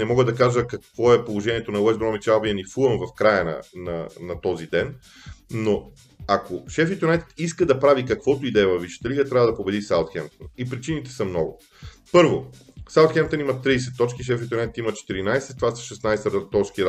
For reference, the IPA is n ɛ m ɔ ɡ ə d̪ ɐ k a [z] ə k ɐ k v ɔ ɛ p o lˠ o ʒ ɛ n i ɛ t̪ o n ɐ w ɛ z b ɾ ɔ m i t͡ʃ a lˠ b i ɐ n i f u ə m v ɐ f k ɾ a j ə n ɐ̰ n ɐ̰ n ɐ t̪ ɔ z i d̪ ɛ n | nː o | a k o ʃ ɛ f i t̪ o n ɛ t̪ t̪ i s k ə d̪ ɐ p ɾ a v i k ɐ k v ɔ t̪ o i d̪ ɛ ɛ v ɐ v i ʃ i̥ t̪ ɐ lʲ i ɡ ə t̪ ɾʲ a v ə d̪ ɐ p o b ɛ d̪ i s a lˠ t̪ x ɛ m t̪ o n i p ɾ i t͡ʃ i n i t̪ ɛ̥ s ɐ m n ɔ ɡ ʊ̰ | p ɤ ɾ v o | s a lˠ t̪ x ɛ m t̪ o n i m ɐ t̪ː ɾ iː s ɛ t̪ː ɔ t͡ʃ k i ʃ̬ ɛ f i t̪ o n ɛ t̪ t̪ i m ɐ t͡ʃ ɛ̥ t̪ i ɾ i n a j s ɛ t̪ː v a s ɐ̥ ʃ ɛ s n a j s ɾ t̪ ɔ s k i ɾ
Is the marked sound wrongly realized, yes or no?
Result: yes